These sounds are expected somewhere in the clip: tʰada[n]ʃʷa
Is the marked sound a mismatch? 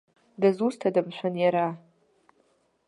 yes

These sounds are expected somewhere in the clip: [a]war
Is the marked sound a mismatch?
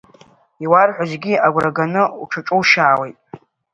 yes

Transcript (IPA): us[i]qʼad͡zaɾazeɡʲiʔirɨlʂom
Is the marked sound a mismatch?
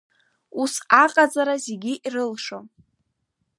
yes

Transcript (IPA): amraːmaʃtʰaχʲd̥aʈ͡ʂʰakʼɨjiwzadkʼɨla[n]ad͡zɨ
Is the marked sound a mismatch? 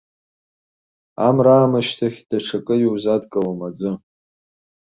yes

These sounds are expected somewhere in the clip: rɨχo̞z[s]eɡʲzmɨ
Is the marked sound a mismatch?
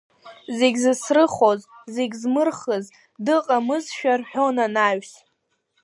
yes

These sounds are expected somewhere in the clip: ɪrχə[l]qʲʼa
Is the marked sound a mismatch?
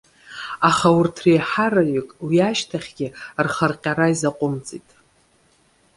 yes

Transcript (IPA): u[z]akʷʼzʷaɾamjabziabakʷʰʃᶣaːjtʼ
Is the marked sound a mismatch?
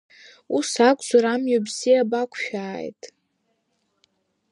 yes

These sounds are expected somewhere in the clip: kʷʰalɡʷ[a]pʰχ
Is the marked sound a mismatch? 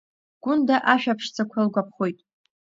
no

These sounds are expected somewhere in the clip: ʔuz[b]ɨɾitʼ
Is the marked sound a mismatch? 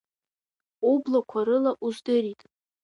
yes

